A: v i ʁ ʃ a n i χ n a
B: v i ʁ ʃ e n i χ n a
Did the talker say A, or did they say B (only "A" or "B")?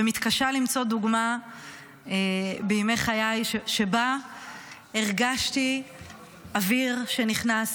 B